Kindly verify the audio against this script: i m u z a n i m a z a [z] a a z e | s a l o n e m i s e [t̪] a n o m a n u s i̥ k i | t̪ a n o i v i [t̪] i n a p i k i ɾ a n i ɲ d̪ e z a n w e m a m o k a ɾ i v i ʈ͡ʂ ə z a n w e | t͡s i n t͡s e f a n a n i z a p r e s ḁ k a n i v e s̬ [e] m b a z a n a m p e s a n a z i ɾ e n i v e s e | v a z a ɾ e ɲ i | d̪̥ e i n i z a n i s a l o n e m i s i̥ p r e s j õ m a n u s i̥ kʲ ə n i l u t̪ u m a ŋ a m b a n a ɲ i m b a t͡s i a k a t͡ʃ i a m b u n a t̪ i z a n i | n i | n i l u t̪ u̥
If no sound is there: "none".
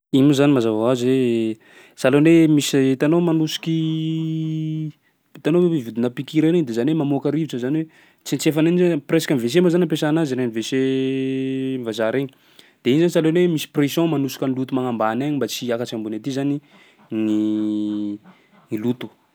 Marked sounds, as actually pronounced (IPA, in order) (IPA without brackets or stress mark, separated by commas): v, t̪, d̪, e